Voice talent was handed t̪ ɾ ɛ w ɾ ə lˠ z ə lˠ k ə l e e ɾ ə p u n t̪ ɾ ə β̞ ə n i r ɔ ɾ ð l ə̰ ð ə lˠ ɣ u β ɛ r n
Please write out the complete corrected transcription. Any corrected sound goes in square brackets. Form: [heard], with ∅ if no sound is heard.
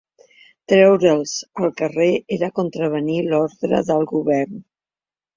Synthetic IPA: t̪ ɾ ɛ w ɾ ə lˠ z ə lˠ k ə [r] e e ɾ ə [k] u n t̪ ɾ ə β̞ ə n i [l] ɔ ɾ ð [ɾ] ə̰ ð ə lˠ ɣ u β ɛ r n